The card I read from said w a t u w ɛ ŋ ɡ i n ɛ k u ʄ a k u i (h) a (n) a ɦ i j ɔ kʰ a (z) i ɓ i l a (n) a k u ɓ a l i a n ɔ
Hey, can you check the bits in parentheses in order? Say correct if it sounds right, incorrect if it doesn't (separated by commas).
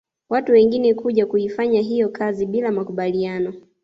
incorrect, incorrect, correct, incorrect